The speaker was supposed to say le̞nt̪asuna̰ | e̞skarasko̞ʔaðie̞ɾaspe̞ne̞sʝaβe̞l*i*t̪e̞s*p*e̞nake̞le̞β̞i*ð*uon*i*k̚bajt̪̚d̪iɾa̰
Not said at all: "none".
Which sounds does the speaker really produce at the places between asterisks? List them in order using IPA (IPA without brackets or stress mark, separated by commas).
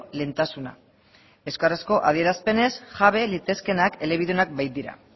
i, k, ð, a